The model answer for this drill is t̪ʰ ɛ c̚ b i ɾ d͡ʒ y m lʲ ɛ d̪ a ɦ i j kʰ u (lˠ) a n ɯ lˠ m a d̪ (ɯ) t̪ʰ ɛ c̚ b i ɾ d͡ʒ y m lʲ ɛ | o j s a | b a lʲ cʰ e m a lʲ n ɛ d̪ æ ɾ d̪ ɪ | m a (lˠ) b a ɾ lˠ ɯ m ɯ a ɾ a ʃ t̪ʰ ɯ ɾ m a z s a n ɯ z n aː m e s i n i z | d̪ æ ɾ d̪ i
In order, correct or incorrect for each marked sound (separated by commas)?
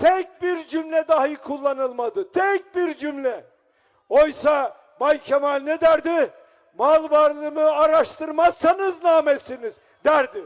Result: incorrect, correct, correct